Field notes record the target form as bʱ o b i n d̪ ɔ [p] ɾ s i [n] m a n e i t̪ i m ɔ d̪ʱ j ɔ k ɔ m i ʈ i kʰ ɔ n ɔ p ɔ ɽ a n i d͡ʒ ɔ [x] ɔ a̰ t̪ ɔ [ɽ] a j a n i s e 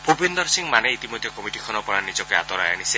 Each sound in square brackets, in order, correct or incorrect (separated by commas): incorrect, incorrect, incorrect, incorrect